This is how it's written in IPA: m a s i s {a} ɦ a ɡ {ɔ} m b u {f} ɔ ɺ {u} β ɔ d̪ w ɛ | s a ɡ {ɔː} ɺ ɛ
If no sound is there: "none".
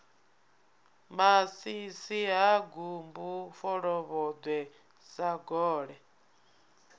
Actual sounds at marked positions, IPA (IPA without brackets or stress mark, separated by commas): i, u, f, ɔ, ɔː